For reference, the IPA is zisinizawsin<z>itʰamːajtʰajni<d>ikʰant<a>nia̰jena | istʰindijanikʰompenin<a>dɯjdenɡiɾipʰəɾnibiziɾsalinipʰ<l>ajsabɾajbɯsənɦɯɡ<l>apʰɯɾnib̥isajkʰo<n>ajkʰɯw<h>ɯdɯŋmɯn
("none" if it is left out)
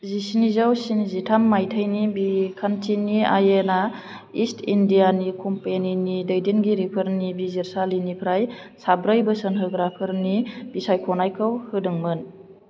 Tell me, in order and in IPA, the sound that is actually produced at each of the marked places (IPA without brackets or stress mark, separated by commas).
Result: z, b, i, i, ɾ, ɾ, n, h